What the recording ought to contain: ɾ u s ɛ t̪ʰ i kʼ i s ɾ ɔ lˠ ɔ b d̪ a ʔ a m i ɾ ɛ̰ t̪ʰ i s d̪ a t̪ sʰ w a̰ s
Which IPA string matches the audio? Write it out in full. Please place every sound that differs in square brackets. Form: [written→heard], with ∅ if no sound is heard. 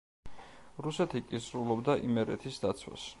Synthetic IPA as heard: ɾ u s ɛ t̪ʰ i kʼ i s ɾ [ɔ→u] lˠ ɔ b d̪ a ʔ [a→i] m [i→ɛ] ɾ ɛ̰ t̪ʰ i s d̪ a t̪ sʰ w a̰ s